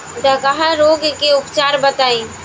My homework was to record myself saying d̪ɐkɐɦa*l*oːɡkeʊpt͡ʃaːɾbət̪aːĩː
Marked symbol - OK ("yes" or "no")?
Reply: no